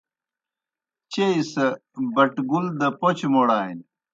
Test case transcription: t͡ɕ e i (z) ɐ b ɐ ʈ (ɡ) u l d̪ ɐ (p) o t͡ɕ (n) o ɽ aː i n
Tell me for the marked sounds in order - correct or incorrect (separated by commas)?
incorrect, correct, correct, incorrect